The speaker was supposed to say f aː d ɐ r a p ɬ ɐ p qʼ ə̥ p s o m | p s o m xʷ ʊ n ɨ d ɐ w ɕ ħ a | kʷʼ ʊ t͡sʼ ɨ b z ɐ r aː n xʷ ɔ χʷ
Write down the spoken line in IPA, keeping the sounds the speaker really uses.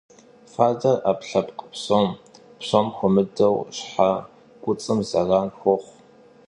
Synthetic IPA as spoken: f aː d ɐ r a p ɬ ɐ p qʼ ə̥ p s o m | p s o m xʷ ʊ m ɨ d ɐ w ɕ ħ a | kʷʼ ʊ t͡sʼ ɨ m z ɐ r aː n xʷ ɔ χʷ

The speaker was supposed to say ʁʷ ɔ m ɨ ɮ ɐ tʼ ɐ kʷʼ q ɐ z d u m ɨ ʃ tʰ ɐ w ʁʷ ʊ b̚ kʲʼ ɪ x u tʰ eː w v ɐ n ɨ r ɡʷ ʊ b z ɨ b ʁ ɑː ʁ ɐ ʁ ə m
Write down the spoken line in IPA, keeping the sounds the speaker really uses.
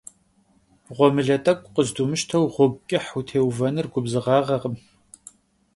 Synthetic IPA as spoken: ʁʷ ɔ m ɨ ɮ ɐ tʼ ɐ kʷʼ q ə z d u m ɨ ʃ tʰ ɐ w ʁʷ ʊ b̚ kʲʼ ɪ ħ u tʰ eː w v ɐ n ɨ r ɡʷ ʊ b z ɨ ʁ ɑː ʁ ɐ ʁ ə m

